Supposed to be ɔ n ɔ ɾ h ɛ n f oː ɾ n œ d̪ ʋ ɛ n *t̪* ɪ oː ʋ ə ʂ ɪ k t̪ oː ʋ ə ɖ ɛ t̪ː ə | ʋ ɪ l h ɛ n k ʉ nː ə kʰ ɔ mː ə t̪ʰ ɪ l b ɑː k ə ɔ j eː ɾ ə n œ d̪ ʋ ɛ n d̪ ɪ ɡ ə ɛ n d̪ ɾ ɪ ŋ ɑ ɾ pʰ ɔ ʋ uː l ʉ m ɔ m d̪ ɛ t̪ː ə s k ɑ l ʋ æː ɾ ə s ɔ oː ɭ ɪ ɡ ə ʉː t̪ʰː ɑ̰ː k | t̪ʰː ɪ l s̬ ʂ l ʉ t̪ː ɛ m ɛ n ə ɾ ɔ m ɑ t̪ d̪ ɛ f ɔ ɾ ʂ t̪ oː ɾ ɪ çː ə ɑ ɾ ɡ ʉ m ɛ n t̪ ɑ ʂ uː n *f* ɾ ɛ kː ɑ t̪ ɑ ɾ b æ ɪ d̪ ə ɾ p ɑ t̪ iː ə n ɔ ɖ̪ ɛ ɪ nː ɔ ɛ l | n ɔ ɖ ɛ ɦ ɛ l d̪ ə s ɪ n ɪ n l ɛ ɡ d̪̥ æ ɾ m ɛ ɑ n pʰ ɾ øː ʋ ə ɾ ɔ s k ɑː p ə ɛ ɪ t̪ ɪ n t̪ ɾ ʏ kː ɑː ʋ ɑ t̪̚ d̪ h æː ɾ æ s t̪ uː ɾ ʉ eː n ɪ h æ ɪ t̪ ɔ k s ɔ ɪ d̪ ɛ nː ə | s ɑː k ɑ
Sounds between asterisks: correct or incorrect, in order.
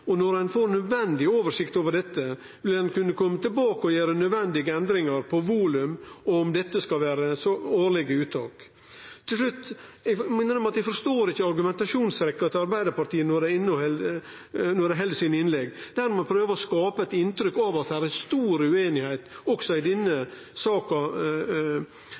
incorrect: d̪, incorrect: s

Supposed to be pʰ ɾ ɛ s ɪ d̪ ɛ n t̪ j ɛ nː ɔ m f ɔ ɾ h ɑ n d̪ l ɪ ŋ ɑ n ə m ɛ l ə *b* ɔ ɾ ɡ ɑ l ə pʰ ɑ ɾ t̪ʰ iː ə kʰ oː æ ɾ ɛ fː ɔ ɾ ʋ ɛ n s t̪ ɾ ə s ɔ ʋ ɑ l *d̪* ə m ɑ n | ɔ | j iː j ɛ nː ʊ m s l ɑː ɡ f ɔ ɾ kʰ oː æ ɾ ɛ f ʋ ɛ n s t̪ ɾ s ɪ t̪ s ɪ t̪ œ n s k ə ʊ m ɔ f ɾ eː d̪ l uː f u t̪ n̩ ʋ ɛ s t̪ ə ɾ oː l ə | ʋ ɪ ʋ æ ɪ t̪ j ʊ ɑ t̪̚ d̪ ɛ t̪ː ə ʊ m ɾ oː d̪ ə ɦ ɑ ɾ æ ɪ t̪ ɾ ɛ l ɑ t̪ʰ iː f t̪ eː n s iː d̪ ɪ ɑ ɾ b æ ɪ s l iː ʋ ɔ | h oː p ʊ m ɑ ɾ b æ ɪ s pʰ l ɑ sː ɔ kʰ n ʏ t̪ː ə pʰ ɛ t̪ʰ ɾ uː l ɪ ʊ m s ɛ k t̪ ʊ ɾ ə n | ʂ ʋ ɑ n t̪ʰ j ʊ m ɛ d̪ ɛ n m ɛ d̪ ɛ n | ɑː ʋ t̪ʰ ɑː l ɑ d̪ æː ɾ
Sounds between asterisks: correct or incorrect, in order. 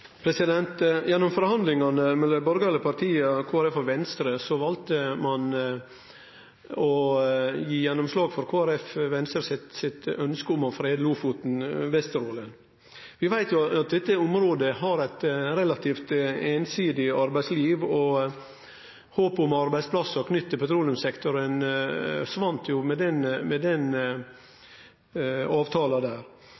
correct, incorrect: t̪

